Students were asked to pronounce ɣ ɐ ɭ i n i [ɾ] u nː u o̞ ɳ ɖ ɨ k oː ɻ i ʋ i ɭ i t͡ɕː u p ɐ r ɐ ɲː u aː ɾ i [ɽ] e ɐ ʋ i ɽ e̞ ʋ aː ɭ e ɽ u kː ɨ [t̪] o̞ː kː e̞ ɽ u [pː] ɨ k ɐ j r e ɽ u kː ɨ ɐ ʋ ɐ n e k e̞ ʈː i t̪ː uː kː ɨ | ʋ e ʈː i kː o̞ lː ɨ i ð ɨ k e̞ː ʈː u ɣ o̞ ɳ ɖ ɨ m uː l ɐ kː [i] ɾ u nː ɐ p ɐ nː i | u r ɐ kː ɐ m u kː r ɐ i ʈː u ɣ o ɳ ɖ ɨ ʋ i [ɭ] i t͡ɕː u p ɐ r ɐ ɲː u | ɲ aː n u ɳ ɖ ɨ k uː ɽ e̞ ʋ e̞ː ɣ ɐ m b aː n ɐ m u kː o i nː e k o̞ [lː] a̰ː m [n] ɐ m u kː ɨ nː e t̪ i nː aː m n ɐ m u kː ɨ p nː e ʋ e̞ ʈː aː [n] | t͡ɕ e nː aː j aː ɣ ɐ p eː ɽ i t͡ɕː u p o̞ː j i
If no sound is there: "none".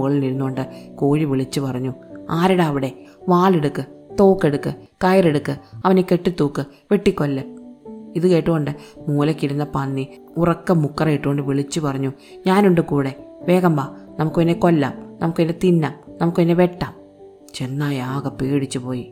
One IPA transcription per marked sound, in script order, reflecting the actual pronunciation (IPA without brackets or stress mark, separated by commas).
ɾ, ɽ, t̪, kː, i, ɭ, lː, n, m